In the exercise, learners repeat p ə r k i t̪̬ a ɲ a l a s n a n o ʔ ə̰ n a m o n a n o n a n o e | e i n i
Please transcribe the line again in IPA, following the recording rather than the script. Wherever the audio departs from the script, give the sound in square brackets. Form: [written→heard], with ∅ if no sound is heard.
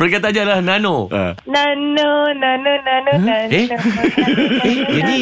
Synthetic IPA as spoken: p ə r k [i→a] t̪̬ a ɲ a l a [s→h] n a n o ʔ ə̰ n a [m→n] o n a n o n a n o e | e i n i